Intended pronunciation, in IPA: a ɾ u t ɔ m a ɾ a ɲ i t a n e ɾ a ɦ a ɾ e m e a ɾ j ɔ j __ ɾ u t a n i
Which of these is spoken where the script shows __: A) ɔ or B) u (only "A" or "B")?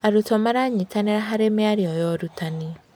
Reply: A